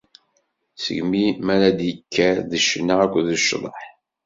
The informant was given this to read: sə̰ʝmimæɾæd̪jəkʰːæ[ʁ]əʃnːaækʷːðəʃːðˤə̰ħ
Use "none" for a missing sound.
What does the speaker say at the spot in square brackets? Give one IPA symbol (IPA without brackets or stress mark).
ð